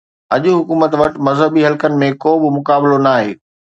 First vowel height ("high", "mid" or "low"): low